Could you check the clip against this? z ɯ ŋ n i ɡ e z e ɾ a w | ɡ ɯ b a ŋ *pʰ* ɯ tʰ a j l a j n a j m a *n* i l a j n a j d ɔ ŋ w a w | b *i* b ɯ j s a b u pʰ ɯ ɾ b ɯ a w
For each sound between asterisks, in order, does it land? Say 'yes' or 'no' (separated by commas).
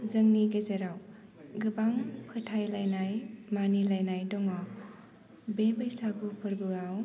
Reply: yes, yes, no